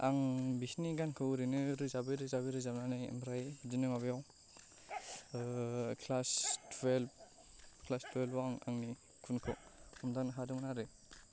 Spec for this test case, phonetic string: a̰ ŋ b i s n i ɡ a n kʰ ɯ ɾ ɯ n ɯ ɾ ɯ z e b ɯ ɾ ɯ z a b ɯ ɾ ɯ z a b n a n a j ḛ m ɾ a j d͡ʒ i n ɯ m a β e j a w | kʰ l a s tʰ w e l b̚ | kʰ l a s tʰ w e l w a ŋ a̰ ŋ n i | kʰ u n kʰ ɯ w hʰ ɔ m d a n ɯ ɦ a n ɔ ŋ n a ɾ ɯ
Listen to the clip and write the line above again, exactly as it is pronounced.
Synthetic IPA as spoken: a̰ ŋ b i s n i ɡ a n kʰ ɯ ɾ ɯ n ɯ ɾ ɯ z a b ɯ ɾ ɯ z a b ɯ ɾ ɯ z a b n a n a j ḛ m ɾ a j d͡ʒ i n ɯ m a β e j a w | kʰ l a s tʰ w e l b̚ | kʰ l a s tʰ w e l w a ŋ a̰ ŋ n i | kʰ u n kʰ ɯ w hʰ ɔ m d a n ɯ ɦ a d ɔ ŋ n a ɾ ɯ